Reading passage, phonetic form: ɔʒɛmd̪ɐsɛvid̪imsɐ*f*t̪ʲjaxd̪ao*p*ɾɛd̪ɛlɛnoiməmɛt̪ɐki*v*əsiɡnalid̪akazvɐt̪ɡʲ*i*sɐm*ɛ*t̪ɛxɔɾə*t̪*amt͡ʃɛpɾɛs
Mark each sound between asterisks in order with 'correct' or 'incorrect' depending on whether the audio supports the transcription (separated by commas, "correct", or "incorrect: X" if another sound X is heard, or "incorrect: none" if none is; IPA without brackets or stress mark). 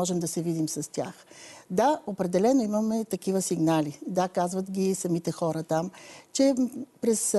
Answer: incorrect: s, correct, correct, correct, incorrect: i, correct